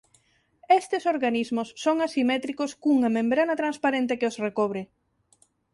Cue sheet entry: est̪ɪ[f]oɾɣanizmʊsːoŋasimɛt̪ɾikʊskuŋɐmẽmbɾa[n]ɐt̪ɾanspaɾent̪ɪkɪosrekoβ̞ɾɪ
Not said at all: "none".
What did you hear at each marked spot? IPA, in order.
s, n

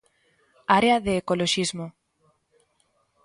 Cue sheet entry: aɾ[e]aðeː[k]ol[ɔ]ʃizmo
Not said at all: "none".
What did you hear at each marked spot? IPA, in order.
e, k, o

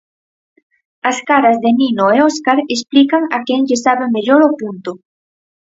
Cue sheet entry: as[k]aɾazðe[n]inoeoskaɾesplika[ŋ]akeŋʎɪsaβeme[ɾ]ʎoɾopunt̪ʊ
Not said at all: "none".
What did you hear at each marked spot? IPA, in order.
k, n, ŋ, none

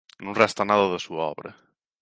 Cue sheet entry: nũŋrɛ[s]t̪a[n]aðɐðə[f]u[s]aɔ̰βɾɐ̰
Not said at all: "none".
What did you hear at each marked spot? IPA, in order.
s, n, s, none

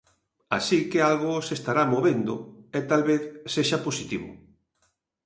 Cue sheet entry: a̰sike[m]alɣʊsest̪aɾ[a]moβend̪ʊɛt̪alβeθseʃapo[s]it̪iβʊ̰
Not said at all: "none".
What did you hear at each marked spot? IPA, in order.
none, a, s

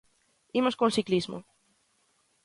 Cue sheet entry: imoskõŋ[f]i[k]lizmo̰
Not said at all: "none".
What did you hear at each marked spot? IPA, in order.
s, k

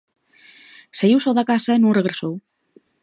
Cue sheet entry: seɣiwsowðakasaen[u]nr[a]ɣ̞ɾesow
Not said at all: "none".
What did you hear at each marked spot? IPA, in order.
u, e

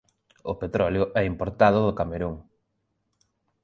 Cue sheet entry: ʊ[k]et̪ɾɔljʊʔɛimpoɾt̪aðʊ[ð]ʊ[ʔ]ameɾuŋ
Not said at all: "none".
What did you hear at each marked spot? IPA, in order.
p, ð, k

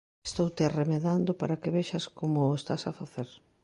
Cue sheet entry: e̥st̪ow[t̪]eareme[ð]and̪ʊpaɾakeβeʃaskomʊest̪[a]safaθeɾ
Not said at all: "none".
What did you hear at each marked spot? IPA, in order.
t̪, ð, a

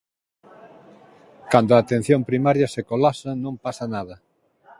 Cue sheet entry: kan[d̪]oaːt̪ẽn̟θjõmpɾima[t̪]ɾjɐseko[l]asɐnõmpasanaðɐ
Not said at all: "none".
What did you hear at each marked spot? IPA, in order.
d̪, none, l

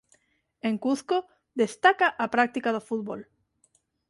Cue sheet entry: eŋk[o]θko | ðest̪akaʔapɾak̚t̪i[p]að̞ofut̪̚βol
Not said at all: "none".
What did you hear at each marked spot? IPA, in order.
u, k

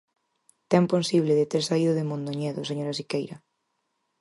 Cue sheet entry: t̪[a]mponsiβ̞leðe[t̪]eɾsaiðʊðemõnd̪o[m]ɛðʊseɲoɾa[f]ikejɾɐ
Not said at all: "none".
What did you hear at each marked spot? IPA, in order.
ɛ, t̪, ɲ, s

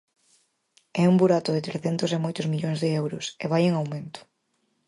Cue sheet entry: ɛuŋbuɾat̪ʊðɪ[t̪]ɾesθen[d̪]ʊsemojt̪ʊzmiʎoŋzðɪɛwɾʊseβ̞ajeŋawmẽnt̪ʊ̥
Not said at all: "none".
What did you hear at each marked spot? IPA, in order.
t̪, t̪

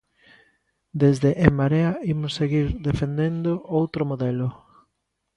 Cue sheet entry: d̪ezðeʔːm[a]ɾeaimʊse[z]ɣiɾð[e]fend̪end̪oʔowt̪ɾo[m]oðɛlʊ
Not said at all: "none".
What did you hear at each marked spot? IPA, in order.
a, none, e, m

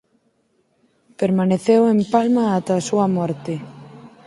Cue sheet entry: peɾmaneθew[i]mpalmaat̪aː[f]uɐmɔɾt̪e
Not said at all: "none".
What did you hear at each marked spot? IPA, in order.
e, s

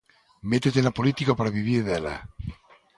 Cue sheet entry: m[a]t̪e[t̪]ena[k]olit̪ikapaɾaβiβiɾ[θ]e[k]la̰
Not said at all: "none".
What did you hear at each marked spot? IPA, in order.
e, t̪, p, ð, none

